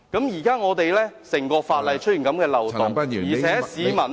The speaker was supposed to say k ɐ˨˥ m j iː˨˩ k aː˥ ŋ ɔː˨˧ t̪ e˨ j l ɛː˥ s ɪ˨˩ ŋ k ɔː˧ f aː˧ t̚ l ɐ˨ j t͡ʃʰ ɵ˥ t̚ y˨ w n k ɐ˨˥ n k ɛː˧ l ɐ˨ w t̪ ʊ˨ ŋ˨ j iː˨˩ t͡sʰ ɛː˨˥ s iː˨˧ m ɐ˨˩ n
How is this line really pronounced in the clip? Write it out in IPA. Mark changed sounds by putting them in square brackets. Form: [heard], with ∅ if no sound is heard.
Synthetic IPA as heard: k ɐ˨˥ m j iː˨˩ k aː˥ ŋ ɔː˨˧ t̪ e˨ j l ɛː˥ s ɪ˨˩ ŋ k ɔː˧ f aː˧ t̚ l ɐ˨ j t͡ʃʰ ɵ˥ t̚ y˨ [∅] n k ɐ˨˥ [m] k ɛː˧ l ɐ˨ w t̪ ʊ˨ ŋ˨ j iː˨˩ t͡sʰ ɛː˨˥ s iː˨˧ m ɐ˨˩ n

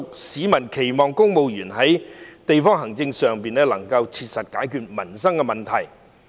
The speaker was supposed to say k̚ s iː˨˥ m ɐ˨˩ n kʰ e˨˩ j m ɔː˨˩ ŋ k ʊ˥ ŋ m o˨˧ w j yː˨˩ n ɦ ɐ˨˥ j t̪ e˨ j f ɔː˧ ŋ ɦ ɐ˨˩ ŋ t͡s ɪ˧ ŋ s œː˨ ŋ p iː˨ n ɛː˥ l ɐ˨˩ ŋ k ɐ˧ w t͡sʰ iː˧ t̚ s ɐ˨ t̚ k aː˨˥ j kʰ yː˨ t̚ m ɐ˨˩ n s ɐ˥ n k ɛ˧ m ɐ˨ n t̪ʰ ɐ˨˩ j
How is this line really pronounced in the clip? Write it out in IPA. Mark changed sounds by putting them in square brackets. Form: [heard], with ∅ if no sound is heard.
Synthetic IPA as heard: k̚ s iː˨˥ m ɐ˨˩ n kʰ e˨˩ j m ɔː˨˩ ŋ k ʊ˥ ŋ m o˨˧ w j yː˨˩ n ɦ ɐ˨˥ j t̪ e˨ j f [ɔː˥] ŋ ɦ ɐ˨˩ ŋ t͡s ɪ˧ ŋ s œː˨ ŋ p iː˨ n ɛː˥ l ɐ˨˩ ŋ k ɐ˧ w t͡sʰ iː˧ t̚ s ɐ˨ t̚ k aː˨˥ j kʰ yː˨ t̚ m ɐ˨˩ n s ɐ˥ [ŋ] k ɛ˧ m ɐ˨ n t̪ʰ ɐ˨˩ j

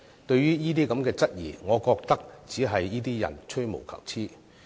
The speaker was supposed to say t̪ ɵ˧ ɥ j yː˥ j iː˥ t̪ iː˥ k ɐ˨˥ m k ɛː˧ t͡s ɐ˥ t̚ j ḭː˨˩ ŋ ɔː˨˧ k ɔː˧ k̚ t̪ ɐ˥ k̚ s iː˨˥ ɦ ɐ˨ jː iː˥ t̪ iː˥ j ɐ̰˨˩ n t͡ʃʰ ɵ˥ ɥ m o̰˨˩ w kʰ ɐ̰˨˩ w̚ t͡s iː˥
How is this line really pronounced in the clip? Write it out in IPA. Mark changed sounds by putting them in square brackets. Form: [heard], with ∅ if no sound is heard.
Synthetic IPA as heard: t̪ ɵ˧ ɥ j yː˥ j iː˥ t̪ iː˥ k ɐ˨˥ m k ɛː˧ t͡s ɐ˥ t̚ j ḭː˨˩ ŋ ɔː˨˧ k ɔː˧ k̚ t̪ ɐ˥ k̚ [t͡s] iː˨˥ ɦ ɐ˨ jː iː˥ t̪ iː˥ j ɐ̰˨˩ n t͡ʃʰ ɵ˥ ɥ m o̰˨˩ w kʰ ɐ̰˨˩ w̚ [t͡sʰ] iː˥

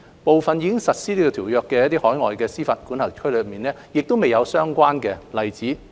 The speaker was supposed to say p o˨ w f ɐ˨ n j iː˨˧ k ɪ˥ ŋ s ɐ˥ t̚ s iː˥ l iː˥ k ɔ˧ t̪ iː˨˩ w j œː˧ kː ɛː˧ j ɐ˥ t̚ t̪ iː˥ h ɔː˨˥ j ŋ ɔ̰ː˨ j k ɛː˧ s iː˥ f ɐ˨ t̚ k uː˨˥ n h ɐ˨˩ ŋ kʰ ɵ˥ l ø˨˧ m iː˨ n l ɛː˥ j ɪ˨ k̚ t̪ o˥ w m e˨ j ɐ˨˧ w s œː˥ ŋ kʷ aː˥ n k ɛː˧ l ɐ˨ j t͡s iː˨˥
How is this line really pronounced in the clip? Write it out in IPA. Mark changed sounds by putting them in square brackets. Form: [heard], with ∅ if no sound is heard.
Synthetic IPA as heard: p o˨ w f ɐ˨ n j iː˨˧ k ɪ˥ ŋ s [ɐ˨] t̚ s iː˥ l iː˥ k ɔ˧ [t̪ʰ] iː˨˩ w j œː˧ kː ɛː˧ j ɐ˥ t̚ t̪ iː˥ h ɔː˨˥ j ŋ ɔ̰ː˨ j k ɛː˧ s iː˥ f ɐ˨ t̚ k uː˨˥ n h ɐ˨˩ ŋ kʰ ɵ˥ l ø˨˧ m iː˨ n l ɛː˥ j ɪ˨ k̚ t̪ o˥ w m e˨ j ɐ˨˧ w s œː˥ ŋ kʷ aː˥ n k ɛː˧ l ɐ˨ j t͡s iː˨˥

